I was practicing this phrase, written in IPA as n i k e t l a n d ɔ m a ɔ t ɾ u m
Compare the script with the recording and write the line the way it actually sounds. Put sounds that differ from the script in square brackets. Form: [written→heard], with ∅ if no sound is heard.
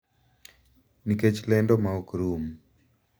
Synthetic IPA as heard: n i k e [t→t͡ʃ] l [a→ɛ] n d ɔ m a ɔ [t→k] ɾ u m